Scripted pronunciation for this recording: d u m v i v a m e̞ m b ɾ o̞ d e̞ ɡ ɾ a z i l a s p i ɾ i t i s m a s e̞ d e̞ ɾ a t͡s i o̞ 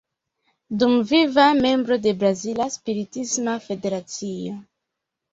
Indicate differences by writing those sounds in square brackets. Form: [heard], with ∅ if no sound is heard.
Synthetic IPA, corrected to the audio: d u m v i v a m e̞ m b ɾ o̞ d e̞ [b] ɾ a z i l a s p i ɾ i t i s m a [f] e̞ d e̞ ɾ a t͡s i o̞